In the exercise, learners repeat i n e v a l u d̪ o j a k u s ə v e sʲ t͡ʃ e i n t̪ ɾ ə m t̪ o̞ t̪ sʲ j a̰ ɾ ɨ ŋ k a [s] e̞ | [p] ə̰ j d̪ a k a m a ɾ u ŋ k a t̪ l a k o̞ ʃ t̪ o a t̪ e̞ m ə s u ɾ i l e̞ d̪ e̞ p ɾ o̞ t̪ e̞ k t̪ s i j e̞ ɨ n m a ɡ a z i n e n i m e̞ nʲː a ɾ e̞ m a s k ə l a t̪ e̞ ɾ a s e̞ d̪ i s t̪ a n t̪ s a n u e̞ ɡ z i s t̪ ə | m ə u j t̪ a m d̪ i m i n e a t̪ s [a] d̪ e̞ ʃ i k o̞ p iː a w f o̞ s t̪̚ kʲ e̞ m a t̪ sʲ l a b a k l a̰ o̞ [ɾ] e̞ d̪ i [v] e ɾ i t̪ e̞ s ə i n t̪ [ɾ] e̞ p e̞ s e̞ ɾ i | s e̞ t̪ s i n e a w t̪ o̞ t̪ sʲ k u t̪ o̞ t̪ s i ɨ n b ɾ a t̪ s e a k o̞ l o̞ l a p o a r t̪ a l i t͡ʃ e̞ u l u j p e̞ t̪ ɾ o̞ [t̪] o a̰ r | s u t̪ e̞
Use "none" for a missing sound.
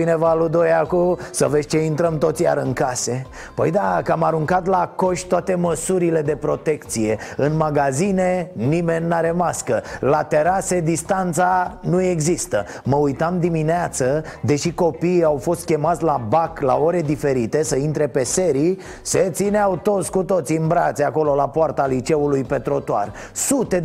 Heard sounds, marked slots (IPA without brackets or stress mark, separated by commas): s, p, ə, ɾ, f, ɾ, t̪